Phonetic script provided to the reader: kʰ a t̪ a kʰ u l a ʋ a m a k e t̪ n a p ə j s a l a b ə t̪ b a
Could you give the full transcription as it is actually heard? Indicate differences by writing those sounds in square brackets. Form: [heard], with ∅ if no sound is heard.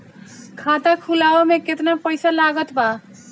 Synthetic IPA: kʰ a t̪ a kʰ u l a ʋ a m [e] k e t̪ n a p ə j s a l a [ɡ] ə t̪ b a